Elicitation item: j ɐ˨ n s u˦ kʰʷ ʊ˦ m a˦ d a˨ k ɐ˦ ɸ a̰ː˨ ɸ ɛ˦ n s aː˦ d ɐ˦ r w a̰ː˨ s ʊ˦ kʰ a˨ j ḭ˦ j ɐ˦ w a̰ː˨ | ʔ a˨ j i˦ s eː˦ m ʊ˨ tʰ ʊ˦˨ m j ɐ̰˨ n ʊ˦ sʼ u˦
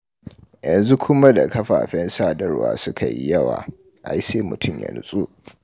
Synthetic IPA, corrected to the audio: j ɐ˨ n z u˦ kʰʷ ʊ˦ m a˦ d a˨ k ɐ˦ ɸ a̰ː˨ ɸ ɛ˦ n s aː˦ d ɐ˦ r w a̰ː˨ s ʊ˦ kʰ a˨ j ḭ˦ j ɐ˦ w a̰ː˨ | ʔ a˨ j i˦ s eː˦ m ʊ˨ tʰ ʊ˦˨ m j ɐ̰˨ n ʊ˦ sʼ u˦